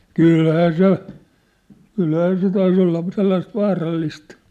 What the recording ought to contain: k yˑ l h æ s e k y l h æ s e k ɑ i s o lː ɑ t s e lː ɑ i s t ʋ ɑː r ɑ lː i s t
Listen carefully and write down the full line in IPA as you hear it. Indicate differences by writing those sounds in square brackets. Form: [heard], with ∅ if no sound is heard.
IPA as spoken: k yˑ l h [æː] s e k y l h [æː] s e [t] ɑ i s o lː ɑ [∅] s e lː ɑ i s t ʋ ɑː r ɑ lː i s t